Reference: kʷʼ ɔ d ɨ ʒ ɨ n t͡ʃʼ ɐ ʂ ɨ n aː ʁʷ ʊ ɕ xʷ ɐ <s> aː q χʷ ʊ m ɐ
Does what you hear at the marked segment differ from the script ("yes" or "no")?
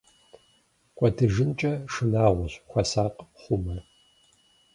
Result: no